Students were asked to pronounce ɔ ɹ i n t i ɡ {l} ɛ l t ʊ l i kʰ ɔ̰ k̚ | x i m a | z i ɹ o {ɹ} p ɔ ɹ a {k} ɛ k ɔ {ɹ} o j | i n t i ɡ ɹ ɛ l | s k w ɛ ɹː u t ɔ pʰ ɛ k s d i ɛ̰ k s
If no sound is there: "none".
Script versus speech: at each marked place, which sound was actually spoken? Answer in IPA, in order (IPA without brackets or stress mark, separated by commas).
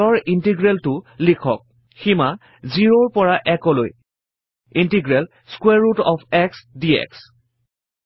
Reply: ɹ, ɹ, ʔ, l